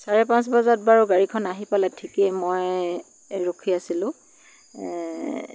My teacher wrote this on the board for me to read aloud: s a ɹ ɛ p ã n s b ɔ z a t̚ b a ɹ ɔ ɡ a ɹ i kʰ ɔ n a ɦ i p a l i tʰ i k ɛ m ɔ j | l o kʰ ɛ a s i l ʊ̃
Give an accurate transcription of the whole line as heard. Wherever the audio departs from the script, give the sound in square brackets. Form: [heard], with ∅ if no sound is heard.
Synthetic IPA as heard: s a ɹ ɛ p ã n s b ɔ z a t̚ b a ɹ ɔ ɡ a ɹ i kʰ ɔ n a ɦ i p a l [ɛ] tʰ i k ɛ m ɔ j | [ɹ] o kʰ [i] a s i l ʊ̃

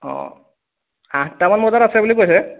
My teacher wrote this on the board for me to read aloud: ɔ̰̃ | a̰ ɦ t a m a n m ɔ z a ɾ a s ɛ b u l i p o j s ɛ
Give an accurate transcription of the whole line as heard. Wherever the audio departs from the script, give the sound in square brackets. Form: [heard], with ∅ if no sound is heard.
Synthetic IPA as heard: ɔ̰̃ | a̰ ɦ t a m a n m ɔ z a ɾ a s ɛ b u l i [k] o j s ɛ

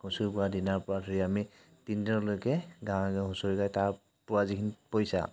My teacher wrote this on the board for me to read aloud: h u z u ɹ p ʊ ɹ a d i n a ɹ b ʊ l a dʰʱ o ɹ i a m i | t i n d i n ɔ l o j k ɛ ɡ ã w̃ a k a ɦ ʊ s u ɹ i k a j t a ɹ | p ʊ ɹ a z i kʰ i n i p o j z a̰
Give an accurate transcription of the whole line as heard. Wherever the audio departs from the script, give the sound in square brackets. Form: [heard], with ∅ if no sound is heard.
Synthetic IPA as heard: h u [s] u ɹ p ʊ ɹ a d i n a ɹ [p] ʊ [ɹ] a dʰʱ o ɹ i a m i | t i n d i n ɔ l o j k ɛ ɡ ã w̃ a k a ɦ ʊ s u ɹ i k a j t a ɹ | p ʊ ɹ a z i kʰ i n i p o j [s] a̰

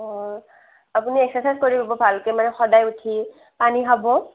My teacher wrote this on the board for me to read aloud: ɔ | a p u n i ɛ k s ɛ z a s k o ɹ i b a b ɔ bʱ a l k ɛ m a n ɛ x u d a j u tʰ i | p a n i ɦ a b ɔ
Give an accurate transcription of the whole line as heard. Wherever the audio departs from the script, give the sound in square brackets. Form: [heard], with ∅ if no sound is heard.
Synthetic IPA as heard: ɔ | a p u n i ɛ k s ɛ [s] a s k o ɹ i b a b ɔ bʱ a l k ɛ m a n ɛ x [ɔ] d a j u tʰ i | p a n i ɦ a b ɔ

